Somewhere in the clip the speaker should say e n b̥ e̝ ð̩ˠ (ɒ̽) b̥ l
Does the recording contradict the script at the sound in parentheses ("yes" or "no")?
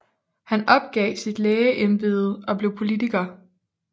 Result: no